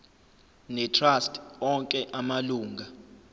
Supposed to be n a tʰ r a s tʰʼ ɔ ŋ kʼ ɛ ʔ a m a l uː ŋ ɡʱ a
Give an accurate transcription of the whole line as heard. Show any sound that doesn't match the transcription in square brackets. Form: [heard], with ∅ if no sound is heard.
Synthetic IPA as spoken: n [ɛ] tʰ r a s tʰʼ ɔ ŋ kʼ ɛ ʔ a m a l uː ŋ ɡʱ a